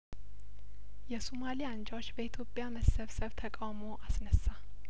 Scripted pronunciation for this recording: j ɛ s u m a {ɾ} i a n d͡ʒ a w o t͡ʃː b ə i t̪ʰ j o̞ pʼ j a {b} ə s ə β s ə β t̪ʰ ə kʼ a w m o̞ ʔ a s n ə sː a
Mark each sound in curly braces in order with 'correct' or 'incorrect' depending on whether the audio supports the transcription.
incorrect: l, incorrect: m

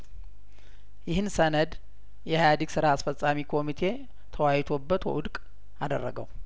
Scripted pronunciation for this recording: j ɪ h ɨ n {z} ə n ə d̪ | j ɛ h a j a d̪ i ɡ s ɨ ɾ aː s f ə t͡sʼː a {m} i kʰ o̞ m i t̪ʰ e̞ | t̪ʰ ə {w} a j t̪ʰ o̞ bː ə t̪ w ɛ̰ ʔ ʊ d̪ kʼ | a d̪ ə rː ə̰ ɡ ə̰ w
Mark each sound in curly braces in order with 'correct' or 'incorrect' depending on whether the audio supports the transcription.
incorrect: s, correct, correct

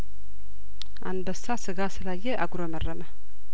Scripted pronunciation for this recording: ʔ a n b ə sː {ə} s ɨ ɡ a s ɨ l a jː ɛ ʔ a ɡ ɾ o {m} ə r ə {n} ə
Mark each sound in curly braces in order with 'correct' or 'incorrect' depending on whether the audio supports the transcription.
incorrect: a, correct, incorrect: m

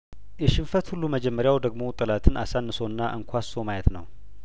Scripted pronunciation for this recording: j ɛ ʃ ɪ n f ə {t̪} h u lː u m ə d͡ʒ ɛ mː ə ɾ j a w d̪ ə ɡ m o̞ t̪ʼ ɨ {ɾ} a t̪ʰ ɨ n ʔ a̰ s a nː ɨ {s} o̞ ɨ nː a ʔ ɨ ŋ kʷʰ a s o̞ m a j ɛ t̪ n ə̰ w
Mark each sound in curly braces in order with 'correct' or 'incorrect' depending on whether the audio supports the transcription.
correct, incorrect: l, correct

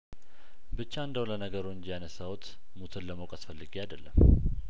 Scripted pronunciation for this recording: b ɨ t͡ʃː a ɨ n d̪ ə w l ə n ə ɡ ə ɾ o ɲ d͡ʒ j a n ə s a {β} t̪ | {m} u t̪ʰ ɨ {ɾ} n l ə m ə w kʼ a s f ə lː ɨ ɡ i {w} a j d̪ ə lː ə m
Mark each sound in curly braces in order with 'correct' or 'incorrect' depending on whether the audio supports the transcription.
incorrect: w, correct, incorrect: none, incorrect: none

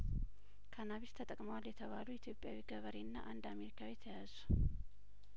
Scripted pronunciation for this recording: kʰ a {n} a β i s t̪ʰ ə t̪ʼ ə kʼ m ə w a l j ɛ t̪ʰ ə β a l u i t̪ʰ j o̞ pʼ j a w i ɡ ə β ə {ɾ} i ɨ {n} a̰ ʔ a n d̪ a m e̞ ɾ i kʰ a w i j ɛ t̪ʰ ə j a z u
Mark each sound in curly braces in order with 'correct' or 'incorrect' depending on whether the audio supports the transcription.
correct, correct, incorrect: nː

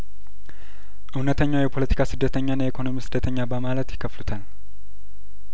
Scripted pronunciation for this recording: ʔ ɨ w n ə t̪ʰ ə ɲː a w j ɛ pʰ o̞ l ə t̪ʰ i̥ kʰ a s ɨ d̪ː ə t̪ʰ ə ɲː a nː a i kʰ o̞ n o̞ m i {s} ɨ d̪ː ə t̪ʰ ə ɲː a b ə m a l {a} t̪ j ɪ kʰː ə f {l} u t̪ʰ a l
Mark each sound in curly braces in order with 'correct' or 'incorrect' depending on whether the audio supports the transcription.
correct, incorrect: ə, correct

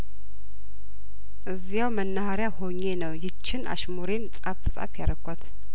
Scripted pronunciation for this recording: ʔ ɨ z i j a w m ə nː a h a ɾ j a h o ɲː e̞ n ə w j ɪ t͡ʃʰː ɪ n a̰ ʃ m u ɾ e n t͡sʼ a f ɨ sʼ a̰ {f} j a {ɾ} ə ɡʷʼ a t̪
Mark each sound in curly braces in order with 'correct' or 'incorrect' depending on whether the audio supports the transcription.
correct, correct

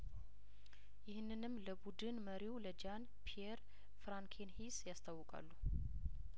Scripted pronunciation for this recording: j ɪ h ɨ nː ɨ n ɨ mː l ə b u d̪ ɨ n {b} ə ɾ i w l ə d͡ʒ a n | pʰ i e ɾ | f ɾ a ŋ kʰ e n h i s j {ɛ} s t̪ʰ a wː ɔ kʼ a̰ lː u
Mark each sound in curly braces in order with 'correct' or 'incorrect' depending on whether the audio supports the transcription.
incorrect: m, incorrect: a

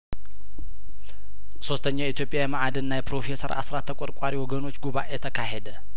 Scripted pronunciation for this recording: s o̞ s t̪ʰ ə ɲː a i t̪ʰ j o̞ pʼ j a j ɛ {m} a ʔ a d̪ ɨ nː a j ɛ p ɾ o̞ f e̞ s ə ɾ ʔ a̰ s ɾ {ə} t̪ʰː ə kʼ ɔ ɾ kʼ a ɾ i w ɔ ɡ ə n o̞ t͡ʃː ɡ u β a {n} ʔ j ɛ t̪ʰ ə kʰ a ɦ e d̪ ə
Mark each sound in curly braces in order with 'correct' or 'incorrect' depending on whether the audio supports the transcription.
correct, incorrect: a, incorrect: none

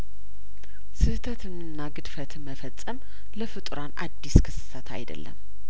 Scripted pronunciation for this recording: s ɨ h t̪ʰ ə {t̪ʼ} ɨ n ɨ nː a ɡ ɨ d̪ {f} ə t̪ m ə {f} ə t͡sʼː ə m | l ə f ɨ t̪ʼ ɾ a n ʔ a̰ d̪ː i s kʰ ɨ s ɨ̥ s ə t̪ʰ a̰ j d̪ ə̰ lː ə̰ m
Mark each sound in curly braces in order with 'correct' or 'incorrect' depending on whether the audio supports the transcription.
incorrect: t̪, correct, correct

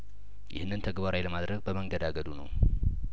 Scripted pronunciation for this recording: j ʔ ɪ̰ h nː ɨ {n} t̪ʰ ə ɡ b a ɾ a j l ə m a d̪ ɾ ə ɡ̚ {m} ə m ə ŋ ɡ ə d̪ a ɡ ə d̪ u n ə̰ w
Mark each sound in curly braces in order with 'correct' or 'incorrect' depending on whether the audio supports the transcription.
correct, incorrect: b

